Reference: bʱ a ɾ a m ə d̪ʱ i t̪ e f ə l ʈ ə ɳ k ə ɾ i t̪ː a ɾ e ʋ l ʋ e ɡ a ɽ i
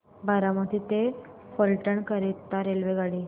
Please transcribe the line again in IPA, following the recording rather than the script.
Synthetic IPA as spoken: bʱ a ɾ a m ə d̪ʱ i t̪ e f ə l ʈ ə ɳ k ə ɾ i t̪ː a ɾ e l ʋ e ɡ a ɽ i